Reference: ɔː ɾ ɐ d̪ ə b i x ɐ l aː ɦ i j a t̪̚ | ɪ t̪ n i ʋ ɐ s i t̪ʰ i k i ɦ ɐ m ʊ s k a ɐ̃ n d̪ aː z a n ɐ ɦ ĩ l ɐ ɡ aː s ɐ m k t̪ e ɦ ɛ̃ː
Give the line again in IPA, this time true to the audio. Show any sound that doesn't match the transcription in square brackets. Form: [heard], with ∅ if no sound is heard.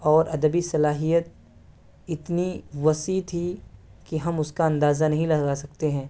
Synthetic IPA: ɔː ɾ ɐ d̪ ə b i [s] ɐ l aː ɦ i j [ə] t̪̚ | ɪ t̪ n i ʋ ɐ s i t̪ʰ i k i ɦ ɐ m ʊ s k a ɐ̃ n d̪ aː z a n ɐ ɦ ĩ l ɐ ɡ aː s ɐ [∅] k t̪ e ɦ ɛ̃ː